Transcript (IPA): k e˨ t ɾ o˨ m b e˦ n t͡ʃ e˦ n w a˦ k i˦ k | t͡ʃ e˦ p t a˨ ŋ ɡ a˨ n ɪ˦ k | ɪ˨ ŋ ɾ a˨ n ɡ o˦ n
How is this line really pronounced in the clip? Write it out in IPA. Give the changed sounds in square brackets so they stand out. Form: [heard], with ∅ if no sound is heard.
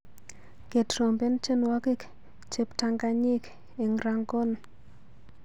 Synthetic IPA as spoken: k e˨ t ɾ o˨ m b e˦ n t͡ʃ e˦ n w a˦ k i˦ k | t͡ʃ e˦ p t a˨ ŋ ɡ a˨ [ɲ] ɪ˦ k | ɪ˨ ŋ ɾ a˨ [ŋ] ɡ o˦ n